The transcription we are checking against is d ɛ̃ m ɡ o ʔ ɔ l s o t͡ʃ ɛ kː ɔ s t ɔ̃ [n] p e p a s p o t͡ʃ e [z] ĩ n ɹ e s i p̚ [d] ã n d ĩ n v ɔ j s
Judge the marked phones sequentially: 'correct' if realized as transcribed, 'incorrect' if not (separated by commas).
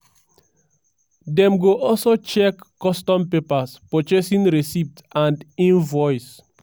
incorrect, incorrect, incorrect